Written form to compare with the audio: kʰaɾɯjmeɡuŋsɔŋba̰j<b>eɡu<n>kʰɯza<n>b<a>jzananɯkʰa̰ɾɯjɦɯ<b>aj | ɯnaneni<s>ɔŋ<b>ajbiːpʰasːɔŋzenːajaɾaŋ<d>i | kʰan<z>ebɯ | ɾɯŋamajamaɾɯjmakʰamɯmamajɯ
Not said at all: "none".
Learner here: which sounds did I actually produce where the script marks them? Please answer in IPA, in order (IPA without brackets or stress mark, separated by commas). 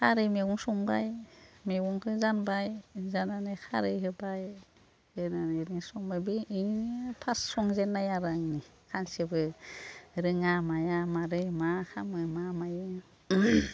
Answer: m, ŋ, n, a, b, s, b, n, s